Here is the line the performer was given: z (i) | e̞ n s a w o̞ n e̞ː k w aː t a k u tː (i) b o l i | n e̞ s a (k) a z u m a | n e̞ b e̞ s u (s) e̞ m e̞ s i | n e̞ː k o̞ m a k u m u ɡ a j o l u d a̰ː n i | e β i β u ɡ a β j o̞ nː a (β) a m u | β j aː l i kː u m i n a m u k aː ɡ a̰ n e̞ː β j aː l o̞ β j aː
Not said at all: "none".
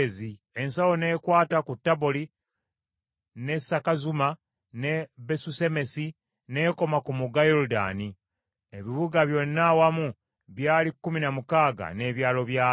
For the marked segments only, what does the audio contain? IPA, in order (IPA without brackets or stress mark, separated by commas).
i, a, k, s, w